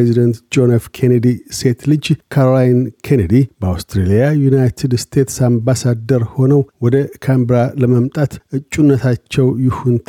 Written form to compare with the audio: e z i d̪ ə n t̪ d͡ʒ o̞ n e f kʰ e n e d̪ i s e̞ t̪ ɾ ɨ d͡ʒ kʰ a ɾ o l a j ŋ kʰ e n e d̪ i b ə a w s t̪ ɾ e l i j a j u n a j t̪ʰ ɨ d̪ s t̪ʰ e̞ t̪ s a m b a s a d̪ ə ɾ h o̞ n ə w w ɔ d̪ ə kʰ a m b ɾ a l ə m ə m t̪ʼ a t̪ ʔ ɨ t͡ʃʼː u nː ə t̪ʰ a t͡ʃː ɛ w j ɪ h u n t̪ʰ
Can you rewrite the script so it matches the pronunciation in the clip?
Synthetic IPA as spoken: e z i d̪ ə n t̪ d͡ʒ o̞ n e f kʰ e n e d̪ i s e̞ t̪ l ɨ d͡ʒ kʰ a ɾ o l a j n kʰ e n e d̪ i b ə a w s t̪ ɾ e l i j a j u n a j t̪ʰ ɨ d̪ s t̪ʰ e̞ t̪ s a m b a s a d̪ ə ɾ h o̞ n ə w w ɔ d̪ ə kʰ a m b ɾ a l ə m ə m t̪ʼ a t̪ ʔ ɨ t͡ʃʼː u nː ə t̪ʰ a t͡ʃː ɛ w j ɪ h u n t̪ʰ